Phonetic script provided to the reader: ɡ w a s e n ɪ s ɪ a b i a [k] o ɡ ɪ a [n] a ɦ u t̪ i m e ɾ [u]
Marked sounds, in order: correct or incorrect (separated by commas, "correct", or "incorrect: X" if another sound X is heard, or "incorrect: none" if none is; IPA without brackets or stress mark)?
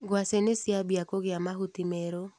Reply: correct, incorrect: m, incorrect: o